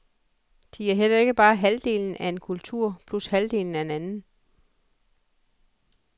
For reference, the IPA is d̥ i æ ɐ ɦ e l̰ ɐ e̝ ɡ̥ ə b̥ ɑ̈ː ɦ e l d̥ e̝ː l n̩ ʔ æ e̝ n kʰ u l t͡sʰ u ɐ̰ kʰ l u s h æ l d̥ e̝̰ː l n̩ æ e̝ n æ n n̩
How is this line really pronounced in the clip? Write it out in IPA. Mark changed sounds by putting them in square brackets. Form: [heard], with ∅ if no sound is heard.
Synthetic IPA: d̥ i æ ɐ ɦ e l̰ ɐ e̝ ɡ̥ ə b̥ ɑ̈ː ɦ [æ] l d̥ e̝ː l n̩ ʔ æ e̝ n kʰ u l t͡sʰ u ɐ̰ [pʰ] l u s h æ l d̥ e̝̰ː l n̩ æ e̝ n æ n n̩